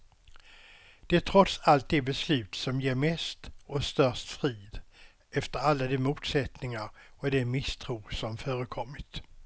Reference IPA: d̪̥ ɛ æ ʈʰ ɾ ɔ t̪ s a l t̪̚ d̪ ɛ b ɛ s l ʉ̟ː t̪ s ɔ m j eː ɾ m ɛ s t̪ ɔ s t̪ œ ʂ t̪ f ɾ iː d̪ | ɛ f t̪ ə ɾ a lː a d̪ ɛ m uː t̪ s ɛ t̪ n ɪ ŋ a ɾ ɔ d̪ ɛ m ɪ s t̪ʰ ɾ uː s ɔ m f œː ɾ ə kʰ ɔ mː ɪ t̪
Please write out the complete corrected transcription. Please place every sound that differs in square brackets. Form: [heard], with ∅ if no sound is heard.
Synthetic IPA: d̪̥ ɛ æ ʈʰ ɾ ɔ t̪ s a l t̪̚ d̪ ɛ b ɛ s l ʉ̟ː t̪ s ɔ m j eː ɾ m ɛ s t̪ ɔ s t̪ œ ʂ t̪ f ɾ iː d̪ | ɛ f t̪ ə ɾ a lː a d̪ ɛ m uː t̪ s ɛ t̪ n ɪ ŋ a ɾ ɔ d̪ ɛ m ɪ s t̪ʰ ɾ uː s ɔ m f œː ɾ ə kʰ ɔ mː ɪ t̪